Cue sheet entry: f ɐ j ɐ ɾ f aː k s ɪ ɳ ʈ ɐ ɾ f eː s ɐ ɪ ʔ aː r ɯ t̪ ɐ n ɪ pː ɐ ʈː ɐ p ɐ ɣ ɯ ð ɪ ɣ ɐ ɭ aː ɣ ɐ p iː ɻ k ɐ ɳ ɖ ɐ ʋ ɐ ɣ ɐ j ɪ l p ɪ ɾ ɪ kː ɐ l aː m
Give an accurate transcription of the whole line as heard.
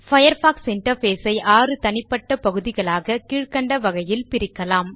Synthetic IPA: f ɐ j ɐ ɾ f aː k s ɪ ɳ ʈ ɐ ɾ f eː s ɐ ɪ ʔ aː r ɯ t̪ ɐ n ɪ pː ɐ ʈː ɐ p ɐ ɣ ɯ ð ɪ ɣ ɐ ɭ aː ɣ ɐ k iː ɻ k ɐ ɳ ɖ ɐ ʋ ɐ ɣ ɐ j ɪ l p ɪ ɾ ɪ kː ɐ l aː m